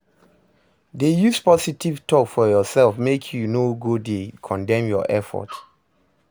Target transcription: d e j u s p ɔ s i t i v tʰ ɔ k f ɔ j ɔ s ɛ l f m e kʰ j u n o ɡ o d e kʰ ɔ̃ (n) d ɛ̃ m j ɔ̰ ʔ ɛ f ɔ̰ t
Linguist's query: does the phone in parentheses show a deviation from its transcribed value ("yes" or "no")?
no